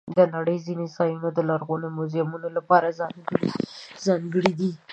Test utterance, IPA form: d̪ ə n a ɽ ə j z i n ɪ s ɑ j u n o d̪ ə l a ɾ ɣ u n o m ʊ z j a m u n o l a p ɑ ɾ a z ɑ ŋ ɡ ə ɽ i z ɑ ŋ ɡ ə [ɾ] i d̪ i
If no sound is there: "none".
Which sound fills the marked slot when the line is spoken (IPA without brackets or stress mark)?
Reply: ɽ